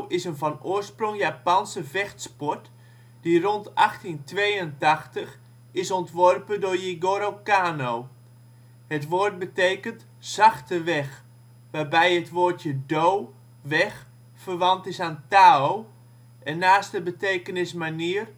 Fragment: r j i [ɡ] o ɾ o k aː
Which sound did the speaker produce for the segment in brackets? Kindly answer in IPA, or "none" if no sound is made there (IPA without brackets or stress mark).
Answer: ɡ